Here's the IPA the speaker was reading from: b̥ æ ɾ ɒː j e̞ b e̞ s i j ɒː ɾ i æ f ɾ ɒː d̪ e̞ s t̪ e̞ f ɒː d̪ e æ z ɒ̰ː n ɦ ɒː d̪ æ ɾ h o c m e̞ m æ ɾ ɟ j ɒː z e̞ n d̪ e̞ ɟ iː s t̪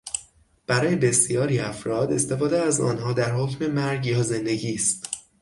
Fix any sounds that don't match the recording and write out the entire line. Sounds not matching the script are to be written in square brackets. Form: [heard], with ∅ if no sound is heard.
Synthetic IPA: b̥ æ ɾ ɒː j e̞ b e̞ s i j ɒː ɾ i æ f ɾ ɒː d̪ e̞ s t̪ e̞ f ɒː d̪ e æ z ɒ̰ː n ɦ ɒː d̪ æ ɾ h o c m e̞ m æ ɾ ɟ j ɒː z e̞ n d̪ e̞ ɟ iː s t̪